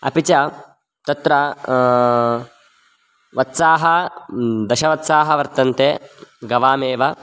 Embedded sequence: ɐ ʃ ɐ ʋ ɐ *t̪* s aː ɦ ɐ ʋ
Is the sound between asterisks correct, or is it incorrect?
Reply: correct